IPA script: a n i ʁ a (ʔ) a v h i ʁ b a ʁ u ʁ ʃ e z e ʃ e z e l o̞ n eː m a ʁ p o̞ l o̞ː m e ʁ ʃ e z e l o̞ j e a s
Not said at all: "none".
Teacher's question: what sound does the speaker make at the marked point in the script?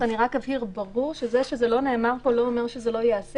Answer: k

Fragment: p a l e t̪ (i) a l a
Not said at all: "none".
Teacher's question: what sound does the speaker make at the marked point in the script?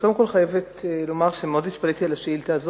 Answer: i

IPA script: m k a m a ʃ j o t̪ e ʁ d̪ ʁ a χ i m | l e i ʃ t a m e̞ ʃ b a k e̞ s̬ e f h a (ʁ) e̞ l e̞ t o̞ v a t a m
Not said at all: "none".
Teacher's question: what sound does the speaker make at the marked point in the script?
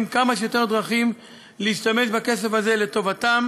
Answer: z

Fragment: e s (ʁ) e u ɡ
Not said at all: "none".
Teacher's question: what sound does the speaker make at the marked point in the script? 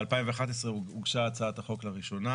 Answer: ʁ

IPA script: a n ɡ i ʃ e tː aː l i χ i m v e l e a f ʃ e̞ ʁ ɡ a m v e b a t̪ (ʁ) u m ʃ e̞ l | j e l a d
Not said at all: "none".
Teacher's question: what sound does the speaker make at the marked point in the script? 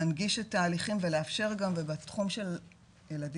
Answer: χ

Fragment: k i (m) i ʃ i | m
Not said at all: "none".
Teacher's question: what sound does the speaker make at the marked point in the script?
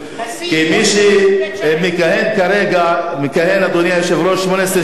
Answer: m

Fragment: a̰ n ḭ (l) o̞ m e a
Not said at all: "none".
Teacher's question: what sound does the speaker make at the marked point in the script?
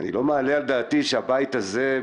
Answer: l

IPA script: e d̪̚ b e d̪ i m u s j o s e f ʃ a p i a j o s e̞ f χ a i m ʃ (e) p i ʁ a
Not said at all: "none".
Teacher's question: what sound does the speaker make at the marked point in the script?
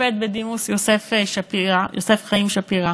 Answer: a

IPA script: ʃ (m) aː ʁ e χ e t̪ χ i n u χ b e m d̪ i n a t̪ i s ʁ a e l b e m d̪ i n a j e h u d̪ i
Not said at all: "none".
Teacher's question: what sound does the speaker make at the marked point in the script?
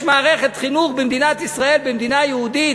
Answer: m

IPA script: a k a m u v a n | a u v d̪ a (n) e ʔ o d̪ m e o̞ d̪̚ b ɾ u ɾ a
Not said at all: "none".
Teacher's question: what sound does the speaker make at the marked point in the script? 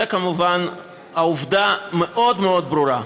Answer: m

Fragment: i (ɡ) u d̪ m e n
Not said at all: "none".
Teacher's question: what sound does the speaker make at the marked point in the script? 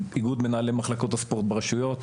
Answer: ɡ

